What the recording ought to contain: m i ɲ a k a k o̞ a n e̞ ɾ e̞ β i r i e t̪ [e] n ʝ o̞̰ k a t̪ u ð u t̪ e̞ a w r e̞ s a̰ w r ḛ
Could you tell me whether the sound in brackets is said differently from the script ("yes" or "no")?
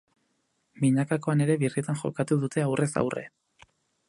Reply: yes